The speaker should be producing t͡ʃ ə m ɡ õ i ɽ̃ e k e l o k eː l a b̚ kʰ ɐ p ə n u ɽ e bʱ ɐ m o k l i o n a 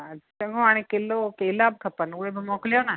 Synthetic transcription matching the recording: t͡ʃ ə ŋ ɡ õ a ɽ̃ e k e l o k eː l a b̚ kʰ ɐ p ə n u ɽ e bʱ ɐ m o k l j o n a